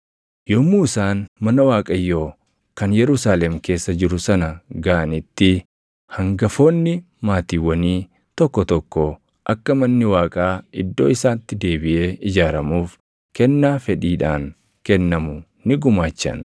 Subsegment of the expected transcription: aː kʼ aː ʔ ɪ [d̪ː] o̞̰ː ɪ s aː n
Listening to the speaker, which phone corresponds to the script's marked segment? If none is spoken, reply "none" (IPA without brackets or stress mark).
d̪ː